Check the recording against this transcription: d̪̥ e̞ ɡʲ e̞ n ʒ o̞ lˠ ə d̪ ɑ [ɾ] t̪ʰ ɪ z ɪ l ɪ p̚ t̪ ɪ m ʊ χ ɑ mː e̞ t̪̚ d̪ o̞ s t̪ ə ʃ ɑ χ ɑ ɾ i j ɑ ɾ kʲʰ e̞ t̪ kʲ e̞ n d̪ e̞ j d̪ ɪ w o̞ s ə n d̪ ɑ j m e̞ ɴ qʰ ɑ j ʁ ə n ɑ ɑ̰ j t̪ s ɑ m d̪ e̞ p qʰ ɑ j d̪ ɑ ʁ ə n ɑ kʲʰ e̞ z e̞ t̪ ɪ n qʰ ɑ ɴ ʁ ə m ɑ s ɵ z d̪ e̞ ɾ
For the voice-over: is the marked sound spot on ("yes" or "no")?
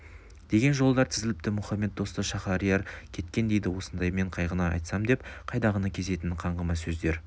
yes